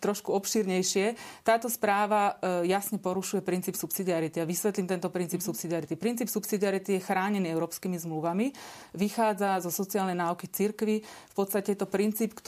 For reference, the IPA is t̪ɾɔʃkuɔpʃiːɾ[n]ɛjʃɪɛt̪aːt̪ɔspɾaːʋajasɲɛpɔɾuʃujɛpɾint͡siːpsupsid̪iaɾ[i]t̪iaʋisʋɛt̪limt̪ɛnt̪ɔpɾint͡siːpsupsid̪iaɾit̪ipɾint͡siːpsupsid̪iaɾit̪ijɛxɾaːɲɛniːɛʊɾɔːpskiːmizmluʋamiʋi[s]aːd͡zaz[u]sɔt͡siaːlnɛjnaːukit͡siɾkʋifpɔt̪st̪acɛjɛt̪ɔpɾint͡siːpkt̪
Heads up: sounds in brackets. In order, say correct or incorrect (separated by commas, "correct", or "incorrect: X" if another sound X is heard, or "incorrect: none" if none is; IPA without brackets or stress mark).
incorrect: ɲ, correct, incorrect: x, incorrect: ɔ